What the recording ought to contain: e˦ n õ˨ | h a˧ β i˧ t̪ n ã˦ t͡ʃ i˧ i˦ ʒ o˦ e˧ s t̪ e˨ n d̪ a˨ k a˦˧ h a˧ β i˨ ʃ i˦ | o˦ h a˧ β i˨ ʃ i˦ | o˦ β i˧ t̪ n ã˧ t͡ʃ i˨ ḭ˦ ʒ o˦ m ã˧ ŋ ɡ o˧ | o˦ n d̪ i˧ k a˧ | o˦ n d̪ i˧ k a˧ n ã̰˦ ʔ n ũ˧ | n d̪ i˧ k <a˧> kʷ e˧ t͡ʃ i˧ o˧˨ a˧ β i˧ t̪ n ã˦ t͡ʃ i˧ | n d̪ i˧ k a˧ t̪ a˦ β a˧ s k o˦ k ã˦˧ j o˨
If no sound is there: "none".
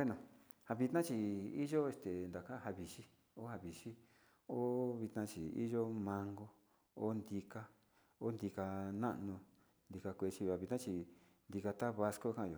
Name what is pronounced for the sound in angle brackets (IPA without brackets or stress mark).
a˧